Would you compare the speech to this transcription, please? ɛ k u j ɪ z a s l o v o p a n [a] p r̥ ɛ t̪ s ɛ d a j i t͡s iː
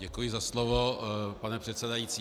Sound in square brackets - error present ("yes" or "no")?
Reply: yes